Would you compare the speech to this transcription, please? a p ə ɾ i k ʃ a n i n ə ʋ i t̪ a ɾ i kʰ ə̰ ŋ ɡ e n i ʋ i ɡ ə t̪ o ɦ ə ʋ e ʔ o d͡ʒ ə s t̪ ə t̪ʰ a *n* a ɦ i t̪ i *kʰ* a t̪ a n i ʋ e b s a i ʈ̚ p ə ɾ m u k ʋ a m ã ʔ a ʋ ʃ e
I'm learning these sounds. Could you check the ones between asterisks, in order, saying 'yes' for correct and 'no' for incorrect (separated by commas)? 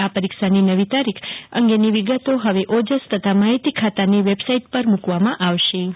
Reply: no, yes